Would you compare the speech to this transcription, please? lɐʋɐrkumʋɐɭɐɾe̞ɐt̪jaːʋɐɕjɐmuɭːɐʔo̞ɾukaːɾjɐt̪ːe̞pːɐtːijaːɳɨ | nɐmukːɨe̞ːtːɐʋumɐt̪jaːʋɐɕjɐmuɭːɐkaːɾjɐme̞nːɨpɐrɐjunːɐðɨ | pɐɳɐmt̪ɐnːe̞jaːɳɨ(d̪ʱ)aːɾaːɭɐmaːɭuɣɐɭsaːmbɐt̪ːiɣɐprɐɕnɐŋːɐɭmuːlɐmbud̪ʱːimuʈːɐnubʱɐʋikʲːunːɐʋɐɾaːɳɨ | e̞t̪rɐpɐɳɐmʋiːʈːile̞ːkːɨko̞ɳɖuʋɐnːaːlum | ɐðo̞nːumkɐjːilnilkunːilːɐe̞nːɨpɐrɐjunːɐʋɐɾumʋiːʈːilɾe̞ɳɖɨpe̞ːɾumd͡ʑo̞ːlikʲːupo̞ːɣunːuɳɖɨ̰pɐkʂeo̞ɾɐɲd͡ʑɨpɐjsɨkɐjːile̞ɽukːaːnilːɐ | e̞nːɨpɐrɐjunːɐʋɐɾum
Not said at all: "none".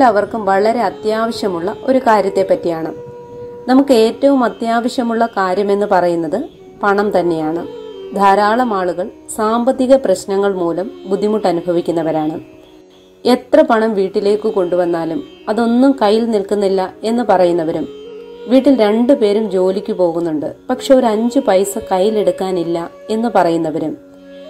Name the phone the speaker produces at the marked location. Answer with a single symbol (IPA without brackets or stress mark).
d̪ʱ